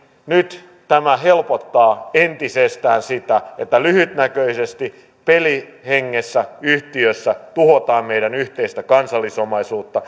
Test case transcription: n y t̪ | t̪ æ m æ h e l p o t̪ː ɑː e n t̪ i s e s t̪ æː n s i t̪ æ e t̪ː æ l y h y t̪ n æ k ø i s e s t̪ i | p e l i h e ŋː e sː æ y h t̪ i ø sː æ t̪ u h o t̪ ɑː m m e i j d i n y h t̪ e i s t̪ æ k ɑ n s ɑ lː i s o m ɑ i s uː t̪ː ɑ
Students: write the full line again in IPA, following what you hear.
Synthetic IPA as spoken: n y t̪ | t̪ æ m æ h e l p o t̪ː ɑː e n t̪ i s e s t̪ æː n s i t̪ æ e t̪ː æ l y h y t̪ n æ k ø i s e s t̪ i | p e l i h e ŋː e sː æ y h t̪ i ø sː æ t̪ u h o t̪ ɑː m m e i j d æ n y h t̪ e i s t̪ æ k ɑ n s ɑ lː i s o m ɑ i s uː t̪ː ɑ

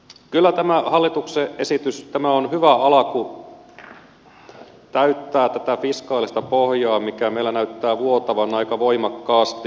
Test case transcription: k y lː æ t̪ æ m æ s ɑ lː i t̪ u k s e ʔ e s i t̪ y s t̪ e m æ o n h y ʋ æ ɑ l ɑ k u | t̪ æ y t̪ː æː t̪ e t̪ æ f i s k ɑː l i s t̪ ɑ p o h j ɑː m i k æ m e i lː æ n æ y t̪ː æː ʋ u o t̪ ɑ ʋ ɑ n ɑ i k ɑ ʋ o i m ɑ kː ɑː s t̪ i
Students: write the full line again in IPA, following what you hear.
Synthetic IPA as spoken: k y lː æ t̪ æ m æ h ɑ lː i t̪ u k s e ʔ e s i t̪ y s t̪ æ m æ o n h y ʋ æ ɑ l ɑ k u | t̪ æ y t̪ː æː t̪ æ t̪ æ f i s k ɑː l i s t̪ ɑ p o h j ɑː m i k æ m e i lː æ n æ y t̪ː æː ʋ u o t̪ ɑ ʋ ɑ n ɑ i k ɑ ʋ o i m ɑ kː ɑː s t̪ i

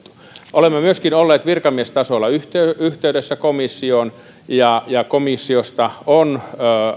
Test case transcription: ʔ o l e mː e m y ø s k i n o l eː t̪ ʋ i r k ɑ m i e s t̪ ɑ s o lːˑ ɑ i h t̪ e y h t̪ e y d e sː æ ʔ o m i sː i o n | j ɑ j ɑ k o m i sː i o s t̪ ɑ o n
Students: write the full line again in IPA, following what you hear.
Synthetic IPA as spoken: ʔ o l e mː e m y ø s k i n o lː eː t̪ ʋ i r k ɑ m i e s t̪ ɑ s o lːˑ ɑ y h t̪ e y h t̪ e y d e sː æ k o m i sː i o n | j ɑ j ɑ k o m i sː i o s t̪ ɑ o n

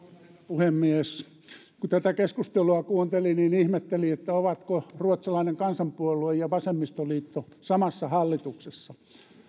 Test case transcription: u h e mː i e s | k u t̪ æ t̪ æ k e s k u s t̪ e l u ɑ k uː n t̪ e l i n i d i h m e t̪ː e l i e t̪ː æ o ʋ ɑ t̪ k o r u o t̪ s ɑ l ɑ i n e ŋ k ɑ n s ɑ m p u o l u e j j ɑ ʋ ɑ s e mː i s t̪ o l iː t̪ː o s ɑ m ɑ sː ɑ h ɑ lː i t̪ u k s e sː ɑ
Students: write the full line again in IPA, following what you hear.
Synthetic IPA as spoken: u h e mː i e s | k u t̪ æ t̪ æ k e s k u s t̪ e l u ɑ k uː n t̪ e l i n i n i h m e t̪ː e l i e t̪ː æ o ʋ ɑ t̪ k o r u o t̪ s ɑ l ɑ i n e ŋ k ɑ n s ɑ m p u o l u e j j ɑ ʋ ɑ s e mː i s t̪ o l iː t̪ː o s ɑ m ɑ sː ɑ h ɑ lː i t̪ u k s e sː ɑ

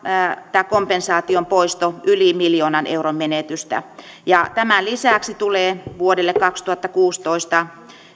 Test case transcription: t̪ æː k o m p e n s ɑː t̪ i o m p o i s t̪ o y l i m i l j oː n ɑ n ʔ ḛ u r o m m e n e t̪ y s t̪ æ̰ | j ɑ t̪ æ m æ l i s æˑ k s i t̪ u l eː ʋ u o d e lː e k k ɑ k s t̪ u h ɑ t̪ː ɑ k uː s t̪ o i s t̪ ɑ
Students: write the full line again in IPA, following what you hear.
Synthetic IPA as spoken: t̪ æː k o m p e n s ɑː t̪ i o m p o i s t̪ o y l i m i l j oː n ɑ n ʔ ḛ u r o m m e n e t̪ y s t̪ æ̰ | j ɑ t̪ æ m æ l i s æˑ k s i t̪ u l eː ʋ u o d e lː e k k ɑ k s t̪ u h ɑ t̪ː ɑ k uː s t̪ o i s t̪ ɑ

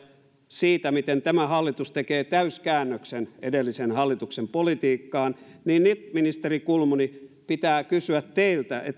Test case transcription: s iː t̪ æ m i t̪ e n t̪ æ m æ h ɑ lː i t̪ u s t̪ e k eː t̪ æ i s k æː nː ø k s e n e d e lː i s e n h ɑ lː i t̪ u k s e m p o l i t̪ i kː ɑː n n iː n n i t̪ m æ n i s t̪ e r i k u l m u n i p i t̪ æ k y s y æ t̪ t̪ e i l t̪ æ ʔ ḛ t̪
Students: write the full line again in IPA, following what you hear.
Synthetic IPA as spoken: s iː t̪ æ m i t̪ e n t̪ æ m æ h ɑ lː i t̪ u s t̪ e k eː t̪ æ y s k æː nː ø k s e n e d e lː i s e n h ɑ lː i t̪ u k s e m p o l i t̪ iː kː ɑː n n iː n n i t̪ m i n i s t̪ e r i k u l m u n i p i t̪ æː k y s y æ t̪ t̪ e i l t̪ æ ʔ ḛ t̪

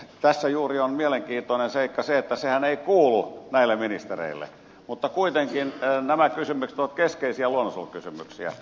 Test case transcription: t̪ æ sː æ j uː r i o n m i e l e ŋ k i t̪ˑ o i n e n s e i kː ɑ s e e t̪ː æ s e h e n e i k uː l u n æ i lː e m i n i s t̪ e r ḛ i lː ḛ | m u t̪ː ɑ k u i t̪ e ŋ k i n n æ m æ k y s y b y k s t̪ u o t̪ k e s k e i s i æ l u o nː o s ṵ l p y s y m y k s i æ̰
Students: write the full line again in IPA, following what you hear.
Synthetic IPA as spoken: t̪ æ sː æ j uː r i o n m i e l e ŋ k iː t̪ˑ o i n e n s e i kː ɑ s e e t̪ː æ s e h æ n e i k uː l u n æ i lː e m i n i s t̪ e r ḛ i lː ḛ | m u t̪ː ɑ k u i t̪ e ŋ k i n n æ m æ k y s y m y k s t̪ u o t̪ k e s k e i s i æ l u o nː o s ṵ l k y s y m y k s i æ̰

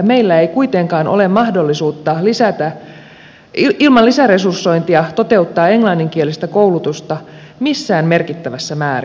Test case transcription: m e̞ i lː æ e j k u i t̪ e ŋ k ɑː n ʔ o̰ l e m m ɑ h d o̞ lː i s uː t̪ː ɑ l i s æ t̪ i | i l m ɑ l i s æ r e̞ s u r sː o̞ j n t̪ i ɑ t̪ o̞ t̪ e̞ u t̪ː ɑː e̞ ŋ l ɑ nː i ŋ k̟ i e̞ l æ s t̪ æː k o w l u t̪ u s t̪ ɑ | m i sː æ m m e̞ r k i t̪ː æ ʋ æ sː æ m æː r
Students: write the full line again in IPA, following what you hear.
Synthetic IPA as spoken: m e̞ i lː æ e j k u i t̪ e ŋ k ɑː n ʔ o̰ l e m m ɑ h d o̞ lː i s uː t̪ː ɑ l i s æ t̪ æ | i l m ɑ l i s æ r e̞ s u r sː o̞ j n t̪ i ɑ t̪ o̞ t̪ e̞ u t̪ː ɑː e̞ ŋ l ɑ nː i ŋ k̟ i e̞ l i s t̪ æ k o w l u t̪ u s t̪ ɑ | m i sː æː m m e̞ r k i t̪ː æ ʋ æ sː æ m æː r

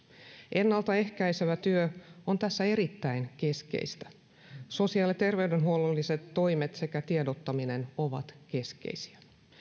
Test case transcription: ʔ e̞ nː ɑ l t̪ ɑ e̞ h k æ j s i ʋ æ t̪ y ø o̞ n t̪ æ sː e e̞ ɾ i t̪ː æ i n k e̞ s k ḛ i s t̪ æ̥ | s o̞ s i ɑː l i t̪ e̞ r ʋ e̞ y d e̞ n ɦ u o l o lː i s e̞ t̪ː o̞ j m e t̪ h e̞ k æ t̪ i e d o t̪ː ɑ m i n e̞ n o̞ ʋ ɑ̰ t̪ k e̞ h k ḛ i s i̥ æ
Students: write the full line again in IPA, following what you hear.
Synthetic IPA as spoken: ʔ e̞ nː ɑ l t̪ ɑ e̞ h k æ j s e ʋ æ t̪ y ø o̞ n t̪ æ sː æ e̞ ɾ i t̪ː æ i n k e̞ s k ḛ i s t̪ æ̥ | s o̞ s i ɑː l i t̪ e̞ r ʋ e̞ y d e̞ n ɦ u o l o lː i s e̞ t̪ː o̞ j m e t̪ s e̞ k æ t̪ i e d o t̪ː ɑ m i n e̞ n o̞ ʋ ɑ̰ t̪ k e̞ s k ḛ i s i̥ æ

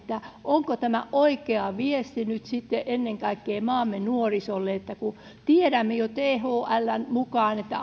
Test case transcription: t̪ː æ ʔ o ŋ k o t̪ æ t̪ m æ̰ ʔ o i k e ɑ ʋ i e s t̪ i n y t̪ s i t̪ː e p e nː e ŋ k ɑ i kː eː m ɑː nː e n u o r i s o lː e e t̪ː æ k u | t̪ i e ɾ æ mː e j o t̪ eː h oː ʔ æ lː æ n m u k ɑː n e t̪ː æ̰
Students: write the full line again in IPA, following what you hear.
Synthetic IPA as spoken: t̪ː æ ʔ o ŋ k o t̪ æ m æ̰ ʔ o i k e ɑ ʋ i e s t̪ i n y t̪ s i t̪ː e ʔ e nː e ŋ k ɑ i kː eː m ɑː mː e n u o r i s o lː e e t̪ː æ k u | t̪ i e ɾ æ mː e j o t̪ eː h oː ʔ æ lː æ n m u k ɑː n e t̪ː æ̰

